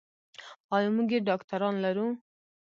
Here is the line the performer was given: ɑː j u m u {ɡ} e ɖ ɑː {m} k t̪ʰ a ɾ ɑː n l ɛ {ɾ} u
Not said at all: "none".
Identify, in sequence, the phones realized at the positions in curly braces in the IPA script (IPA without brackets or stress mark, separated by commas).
ɡ, none, ɾ